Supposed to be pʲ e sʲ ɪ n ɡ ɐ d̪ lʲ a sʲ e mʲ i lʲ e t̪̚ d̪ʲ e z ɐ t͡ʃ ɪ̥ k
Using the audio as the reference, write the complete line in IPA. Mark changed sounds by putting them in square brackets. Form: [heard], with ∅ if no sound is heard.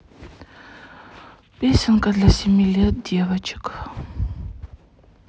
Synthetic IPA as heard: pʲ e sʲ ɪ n [k] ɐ d̪ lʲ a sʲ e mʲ i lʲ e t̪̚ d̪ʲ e [v] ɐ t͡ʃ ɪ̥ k

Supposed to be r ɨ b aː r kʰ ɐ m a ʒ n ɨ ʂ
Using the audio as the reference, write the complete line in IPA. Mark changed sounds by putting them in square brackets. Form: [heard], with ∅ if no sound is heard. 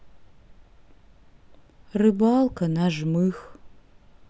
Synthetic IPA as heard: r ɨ b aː [l] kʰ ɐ [n] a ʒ [m] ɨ [x]

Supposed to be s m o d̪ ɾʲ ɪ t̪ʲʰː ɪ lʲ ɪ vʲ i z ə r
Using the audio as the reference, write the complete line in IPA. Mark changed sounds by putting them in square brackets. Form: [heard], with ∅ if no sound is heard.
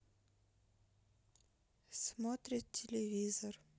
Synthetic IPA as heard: s m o [t̪] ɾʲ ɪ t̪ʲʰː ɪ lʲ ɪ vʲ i z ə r

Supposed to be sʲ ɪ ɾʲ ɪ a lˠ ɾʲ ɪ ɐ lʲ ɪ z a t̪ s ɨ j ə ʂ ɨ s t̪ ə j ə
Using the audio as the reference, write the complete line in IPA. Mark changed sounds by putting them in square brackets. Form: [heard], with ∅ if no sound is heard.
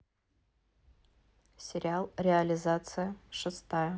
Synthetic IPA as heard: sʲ ɪ ɾʲ ɪ a lˠ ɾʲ ɪ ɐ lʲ ɪ z a t̪ s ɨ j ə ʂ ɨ s t̪ [a] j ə

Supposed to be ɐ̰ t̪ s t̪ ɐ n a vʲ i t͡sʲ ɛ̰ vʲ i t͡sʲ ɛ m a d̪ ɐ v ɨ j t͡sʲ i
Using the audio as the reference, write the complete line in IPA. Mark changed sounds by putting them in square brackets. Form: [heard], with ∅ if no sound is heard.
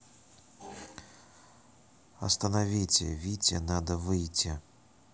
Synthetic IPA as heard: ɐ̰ [∅] s t̪ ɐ n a vʲ i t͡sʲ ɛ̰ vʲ i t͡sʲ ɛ [n] a d̪ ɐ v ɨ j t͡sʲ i

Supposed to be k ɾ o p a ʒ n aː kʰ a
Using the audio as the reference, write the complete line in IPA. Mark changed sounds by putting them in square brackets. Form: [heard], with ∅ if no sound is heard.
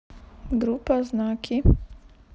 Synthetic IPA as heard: [ɡ] ɾ [u] p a [z] n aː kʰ [i]

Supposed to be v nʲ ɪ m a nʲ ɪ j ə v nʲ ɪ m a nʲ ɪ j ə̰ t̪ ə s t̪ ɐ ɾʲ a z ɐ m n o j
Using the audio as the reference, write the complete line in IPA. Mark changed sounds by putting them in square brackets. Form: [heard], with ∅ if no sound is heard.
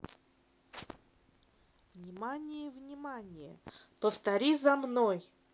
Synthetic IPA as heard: v nʲ ɪ m a nʲ ɪ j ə v nʲ ɪ m a nʲ ɪ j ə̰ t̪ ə s t̪ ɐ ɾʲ [i] z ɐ m n o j

